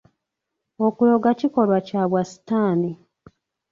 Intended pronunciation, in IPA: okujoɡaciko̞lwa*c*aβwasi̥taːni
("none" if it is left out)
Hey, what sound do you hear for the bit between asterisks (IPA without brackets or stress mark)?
c